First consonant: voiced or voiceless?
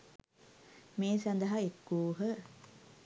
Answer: voiced